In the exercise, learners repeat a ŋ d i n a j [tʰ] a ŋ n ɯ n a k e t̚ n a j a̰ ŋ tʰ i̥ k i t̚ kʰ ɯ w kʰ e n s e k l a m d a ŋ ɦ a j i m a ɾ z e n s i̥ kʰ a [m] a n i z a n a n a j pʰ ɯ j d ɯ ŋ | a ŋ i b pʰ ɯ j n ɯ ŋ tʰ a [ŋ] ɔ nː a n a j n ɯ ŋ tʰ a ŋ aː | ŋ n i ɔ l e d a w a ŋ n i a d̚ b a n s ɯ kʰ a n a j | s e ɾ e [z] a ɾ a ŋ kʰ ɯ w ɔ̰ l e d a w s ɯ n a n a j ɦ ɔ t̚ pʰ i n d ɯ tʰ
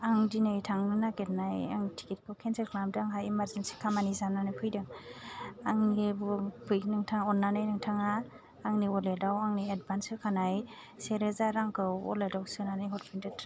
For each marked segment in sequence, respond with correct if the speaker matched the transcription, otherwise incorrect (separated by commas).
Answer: correct, correct, correct, correct